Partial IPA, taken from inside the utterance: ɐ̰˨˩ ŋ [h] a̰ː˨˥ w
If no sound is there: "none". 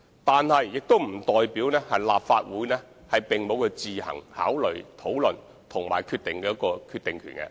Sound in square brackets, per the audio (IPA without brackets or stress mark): h